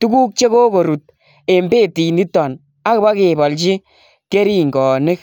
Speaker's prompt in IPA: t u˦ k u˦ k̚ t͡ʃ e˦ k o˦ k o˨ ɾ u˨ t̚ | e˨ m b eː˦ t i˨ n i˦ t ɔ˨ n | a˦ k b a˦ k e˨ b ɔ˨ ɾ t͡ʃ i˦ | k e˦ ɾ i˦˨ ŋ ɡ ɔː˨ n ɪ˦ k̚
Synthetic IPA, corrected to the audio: t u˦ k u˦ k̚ t͡ʃ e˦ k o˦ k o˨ ɾ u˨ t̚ | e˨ m b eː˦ t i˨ n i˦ t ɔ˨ n | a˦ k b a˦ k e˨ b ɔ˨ l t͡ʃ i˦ | k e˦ ɾ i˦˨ ŋ ɡ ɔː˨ n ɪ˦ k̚